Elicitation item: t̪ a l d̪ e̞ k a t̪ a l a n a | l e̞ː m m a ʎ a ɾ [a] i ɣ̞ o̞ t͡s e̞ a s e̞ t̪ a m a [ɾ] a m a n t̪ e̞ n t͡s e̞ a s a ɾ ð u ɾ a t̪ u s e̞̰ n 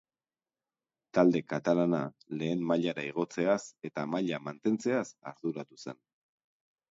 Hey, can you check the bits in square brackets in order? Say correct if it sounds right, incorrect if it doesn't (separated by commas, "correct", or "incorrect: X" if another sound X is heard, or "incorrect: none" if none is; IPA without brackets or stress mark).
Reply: correct, incorrect: ʎ